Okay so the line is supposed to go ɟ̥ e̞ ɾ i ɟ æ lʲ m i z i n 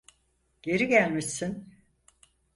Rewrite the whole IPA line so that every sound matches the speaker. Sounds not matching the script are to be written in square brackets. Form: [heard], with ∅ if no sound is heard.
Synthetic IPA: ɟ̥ e̞ ɾ i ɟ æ lʲ m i [s] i n